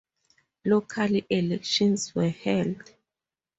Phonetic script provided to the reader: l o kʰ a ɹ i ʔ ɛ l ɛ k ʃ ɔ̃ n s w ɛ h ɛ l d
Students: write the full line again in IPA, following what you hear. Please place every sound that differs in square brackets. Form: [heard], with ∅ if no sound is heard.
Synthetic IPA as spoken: l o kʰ a [l] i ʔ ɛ l ɛ k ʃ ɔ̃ n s w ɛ h ɛ l d